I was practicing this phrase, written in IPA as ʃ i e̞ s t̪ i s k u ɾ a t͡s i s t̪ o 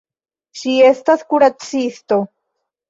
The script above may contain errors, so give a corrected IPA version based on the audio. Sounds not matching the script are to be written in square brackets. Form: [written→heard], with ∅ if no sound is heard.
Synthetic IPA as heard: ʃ i e̞ s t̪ [i→a] s k u ɾ a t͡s i s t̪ o